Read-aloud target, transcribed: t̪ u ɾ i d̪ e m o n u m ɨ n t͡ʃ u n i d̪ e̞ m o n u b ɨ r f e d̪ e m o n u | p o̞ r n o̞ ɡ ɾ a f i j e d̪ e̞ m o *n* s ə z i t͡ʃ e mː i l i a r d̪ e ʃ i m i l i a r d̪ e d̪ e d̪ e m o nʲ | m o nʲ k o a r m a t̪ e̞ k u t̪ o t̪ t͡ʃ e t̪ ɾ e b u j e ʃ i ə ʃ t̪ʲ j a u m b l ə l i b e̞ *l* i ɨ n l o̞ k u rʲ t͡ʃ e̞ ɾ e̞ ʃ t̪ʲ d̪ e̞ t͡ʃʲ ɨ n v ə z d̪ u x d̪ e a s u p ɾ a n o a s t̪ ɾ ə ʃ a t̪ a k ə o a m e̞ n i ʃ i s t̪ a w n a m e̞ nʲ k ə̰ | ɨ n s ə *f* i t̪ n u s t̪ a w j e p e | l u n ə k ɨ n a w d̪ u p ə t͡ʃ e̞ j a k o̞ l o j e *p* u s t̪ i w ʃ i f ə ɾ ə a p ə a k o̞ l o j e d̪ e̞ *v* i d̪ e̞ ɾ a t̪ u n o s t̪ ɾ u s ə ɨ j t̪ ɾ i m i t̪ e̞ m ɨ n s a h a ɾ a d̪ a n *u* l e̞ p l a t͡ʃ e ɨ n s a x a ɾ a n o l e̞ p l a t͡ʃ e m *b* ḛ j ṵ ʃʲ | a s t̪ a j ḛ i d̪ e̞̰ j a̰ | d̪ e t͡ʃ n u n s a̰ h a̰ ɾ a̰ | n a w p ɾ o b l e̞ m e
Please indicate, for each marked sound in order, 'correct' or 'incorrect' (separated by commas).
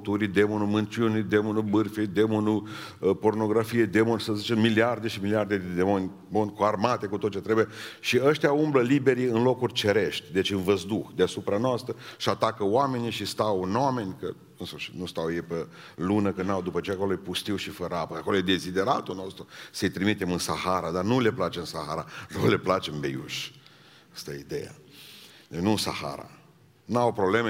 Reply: correct, incorrect, incorrect, correct, incorrect, correct, correct